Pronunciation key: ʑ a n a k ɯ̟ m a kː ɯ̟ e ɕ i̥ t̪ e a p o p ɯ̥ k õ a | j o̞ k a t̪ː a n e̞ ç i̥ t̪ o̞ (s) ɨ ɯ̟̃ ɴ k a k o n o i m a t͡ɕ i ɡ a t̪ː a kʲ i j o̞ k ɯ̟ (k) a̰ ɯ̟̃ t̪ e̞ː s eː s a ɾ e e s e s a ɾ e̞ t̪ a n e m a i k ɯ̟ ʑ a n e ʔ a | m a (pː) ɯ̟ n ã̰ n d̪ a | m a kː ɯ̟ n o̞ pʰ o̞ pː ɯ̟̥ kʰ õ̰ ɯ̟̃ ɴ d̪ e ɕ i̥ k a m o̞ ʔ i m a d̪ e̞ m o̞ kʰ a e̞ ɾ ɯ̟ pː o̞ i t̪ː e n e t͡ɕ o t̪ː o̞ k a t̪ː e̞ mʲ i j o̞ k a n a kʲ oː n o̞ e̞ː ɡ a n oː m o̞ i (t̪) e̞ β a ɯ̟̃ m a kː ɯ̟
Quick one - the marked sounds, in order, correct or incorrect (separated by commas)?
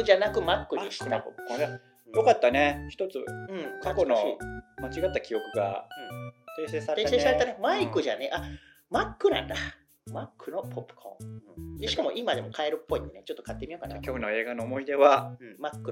incorrect, incorrect, incorrect, incorrect